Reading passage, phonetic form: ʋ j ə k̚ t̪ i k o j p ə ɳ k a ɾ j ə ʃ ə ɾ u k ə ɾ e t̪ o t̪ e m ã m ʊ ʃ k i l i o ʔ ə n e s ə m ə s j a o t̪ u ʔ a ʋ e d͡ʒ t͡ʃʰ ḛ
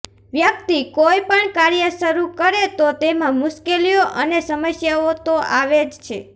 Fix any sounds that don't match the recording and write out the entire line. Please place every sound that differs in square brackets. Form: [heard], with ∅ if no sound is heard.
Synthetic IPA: ʋ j ə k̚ t̪ i k o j p ə ɳ k a ɾ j ə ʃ ə ɾ u k ə ɾ e t̪ o t̪ e m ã m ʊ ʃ k [e] l i o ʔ ə n e s ə m ə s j a o t̪ [o] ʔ a ʋ e d͡ʒ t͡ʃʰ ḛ